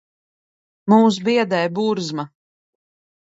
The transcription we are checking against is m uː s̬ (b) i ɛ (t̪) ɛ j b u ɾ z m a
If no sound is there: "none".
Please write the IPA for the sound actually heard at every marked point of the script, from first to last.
b, d̪

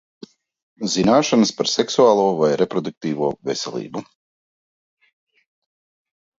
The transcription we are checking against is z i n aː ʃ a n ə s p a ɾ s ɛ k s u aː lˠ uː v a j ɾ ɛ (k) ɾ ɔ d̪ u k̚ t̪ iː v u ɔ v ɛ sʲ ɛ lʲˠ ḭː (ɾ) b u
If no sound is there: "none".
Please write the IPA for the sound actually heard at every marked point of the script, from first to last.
p, none

